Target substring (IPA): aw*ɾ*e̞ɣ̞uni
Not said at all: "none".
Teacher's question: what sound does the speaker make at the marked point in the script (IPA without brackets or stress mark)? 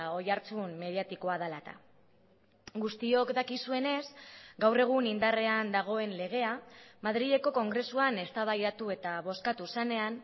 r